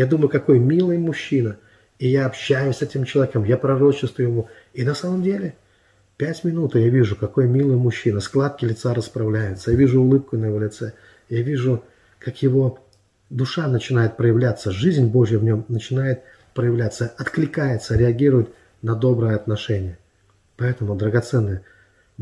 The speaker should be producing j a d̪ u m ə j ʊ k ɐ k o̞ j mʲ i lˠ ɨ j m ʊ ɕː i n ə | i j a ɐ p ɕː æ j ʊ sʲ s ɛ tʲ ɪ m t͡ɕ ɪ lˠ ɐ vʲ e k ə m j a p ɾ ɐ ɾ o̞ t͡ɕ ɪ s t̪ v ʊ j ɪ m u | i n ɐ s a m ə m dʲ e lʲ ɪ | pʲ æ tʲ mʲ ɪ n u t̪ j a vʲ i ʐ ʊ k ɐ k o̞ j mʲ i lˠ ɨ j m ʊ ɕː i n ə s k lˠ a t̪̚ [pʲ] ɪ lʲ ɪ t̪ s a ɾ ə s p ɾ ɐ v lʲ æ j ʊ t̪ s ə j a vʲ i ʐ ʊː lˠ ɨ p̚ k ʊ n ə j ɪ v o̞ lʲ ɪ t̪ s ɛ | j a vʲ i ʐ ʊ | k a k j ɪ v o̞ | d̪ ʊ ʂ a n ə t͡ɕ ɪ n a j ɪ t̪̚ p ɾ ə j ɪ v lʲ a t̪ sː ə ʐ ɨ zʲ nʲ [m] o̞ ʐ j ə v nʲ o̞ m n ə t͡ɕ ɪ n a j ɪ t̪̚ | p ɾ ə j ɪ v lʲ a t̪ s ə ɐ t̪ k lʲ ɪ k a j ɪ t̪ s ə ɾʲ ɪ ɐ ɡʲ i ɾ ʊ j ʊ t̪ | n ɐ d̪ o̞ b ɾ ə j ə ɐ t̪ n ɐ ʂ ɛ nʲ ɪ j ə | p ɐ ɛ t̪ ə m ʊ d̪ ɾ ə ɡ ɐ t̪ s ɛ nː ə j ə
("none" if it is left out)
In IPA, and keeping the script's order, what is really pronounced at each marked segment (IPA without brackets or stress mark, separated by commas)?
kʲ, b